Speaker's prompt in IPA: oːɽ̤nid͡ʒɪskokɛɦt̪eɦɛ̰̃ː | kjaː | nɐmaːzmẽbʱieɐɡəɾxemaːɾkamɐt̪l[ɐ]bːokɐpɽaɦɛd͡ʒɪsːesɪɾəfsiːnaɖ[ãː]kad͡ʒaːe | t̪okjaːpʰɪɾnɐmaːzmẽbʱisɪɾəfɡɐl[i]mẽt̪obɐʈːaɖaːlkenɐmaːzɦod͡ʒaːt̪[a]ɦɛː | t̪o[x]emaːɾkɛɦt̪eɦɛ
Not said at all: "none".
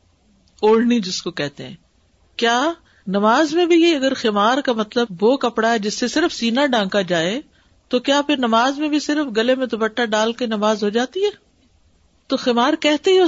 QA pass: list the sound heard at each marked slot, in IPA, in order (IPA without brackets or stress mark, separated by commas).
ə, ãː, e, i, x